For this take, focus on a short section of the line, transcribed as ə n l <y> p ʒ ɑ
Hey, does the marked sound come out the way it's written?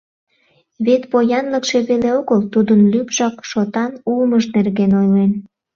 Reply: yes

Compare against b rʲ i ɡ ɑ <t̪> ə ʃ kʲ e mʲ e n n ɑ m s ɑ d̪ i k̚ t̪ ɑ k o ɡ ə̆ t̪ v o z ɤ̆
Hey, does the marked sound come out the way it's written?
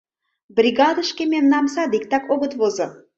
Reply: no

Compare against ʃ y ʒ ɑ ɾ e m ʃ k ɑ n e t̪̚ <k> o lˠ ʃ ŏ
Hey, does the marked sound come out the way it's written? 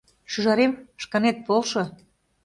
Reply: no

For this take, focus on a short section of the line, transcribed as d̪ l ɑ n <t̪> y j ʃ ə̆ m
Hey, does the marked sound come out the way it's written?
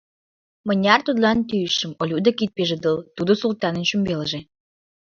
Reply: yes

